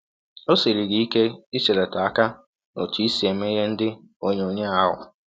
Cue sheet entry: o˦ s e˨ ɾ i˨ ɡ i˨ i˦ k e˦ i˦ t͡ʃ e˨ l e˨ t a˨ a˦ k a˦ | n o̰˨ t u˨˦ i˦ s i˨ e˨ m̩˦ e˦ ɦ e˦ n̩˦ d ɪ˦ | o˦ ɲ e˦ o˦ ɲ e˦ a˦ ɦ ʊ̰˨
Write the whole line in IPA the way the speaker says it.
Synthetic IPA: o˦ s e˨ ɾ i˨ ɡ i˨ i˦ k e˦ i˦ t͡ʃ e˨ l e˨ t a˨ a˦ k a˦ | n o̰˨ t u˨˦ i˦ s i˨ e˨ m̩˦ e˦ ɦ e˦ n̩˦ d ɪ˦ | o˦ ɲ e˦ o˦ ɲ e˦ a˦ ɦ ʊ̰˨